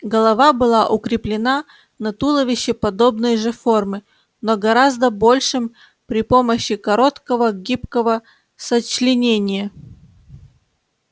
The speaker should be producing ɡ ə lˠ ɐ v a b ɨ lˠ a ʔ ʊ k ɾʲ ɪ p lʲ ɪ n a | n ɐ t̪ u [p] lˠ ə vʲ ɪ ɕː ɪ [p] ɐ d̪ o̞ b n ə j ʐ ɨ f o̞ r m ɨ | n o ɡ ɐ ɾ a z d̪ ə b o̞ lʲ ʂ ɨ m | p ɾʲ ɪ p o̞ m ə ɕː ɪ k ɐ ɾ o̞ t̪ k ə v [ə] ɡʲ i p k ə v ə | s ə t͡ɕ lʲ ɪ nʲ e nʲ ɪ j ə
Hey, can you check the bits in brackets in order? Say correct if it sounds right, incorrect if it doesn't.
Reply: incorrect: none, correct, correct

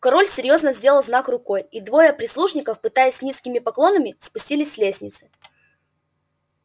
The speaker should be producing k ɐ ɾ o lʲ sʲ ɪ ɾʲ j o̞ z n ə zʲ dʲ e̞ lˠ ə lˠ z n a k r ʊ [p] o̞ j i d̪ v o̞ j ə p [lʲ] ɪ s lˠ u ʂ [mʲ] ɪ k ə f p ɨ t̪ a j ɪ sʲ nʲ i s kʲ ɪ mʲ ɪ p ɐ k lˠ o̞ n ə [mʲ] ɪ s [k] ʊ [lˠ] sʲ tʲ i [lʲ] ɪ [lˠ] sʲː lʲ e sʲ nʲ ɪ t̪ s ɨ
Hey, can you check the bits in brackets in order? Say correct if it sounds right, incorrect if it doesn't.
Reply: incorrect: k, incorrect: ɾʲ, incorrect: nʲ, correct, incorrect: p, incorrect: none, correct, incorrect: none

